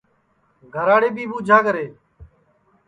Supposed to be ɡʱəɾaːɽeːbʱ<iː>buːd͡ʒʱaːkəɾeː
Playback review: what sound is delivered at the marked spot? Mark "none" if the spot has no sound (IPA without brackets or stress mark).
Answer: iː